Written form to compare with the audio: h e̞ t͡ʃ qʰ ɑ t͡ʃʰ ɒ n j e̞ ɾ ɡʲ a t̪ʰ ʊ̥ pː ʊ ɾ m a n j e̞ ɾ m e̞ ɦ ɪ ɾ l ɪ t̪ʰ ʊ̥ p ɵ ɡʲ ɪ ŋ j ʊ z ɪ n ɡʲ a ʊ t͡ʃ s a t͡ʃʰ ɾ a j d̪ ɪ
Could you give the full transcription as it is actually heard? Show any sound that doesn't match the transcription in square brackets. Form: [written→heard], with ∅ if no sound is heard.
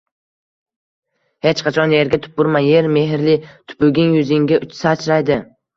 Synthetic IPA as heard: h e̞ t͡ʃ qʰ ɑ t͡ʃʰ ɒ n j e̞ ɾ ɡʲ a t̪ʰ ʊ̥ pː ʊ ɾ m a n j e̞ ɾ m e̞ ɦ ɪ ɾ l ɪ t̪ʰ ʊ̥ p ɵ ɡʲ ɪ ŋ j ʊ z ɪ [n→ŋ] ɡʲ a ʊ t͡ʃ s a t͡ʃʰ ɾ a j d̪ ɪ